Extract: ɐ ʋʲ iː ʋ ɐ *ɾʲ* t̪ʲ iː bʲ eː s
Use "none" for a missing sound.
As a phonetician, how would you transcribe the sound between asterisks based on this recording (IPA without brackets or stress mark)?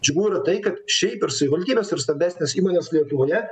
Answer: lʲ